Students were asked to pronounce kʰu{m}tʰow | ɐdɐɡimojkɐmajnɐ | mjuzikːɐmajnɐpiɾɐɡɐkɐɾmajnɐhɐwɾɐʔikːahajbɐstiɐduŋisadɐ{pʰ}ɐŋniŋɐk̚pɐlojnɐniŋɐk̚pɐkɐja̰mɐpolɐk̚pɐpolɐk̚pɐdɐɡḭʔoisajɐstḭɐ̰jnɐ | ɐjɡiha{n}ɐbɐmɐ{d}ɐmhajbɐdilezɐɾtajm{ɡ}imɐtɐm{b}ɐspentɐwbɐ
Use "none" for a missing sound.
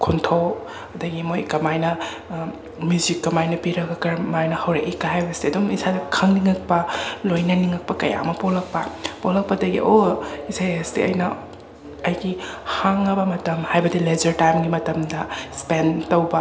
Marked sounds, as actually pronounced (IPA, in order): n, kʰ, ŋ, t, ɡ, d

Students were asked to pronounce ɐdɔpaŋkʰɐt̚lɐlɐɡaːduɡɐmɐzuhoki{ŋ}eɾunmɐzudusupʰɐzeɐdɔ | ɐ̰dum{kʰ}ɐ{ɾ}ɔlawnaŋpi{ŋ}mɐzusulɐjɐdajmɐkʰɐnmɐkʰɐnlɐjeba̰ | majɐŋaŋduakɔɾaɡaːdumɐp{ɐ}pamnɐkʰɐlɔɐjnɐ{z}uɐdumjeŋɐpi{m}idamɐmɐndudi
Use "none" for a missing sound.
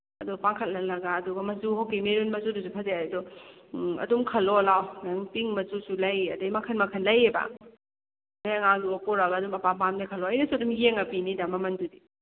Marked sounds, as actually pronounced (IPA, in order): m, kʰ, l, ŋ, a, s, n

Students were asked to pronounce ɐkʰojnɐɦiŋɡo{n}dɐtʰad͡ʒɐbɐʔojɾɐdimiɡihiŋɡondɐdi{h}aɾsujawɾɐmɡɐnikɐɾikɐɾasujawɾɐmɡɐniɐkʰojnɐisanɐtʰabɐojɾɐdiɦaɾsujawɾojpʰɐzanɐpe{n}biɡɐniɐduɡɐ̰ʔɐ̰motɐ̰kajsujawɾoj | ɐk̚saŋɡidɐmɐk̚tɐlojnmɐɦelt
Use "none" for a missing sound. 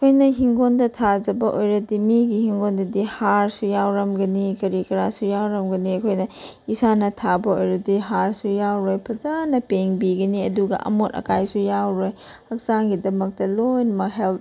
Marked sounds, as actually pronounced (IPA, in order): n, h, ŋ

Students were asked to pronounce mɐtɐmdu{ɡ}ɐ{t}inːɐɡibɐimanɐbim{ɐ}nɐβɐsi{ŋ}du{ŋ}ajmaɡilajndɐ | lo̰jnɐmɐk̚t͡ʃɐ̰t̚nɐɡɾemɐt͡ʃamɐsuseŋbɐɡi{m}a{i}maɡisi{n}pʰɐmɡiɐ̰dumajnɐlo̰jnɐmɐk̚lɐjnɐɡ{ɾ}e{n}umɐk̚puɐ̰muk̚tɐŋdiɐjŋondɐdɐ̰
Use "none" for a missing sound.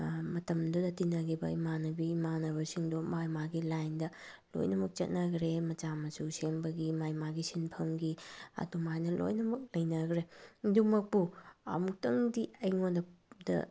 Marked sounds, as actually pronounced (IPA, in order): d, t, a, ŋ, m, m, j, n, ɾ, d

